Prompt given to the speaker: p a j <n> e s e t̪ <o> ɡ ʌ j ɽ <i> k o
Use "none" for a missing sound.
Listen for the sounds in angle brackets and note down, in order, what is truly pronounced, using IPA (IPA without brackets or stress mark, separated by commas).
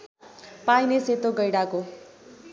n, o, a